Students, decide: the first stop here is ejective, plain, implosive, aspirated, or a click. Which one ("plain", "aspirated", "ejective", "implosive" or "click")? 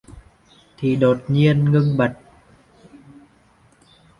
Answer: aspirated